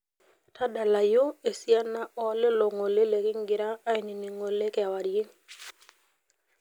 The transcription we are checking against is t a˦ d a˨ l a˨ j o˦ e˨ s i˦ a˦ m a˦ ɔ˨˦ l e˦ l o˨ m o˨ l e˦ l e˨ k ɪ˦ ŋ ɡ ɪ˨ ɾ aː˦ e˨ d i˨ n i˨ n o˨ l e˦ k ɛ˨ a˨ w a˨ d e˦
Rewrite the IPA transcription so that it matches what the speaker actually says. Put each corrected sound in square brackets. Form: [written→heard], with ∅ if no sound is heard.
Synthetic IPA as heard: t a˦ d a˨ l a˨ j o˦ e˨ s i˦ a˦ [m→n] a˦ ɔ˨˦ l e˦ l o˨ [m→ŋ] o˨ l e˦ l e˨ k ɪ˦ ŋ ɡ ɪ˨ ɾ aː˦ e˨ [d→n] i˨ n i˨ [n→ŋ] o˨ l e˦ k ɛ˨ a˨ w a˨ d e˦